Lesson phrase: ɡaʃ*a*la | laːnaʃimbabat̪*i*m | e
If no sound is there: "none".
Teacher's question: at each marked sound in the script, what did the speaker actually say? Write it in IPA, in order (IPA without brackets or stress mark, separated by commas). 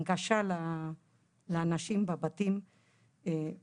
a, i